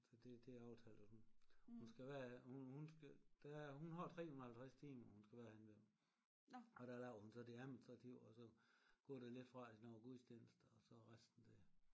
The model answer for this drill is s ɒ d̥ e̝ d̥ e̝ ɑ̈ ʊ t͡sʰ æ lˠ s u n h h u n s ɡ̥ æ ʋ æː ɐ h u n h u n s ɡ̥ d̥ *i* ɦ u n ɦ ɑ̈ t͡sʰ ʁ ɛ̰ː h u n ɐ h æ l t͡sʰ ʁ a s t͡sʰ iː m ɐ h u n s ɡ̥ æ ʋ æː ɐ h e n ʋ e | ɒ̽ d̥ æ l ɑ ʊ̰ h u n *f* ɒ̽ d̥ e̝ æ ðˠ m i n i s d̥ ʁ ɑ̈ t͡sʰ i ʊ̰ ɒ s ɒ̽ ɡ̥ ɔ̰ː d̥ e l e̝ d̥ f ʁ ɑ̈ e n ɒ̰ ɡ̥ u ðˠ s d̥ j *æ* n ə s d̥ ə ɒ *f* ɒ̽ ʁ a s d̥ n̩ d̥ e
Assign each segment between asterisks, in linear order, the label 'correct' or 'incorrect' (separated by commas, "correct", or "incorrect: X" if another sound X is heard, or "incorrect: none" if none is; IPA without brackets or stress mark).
incorrect: æ, incorrect: s, incorrect: e, incorrect: s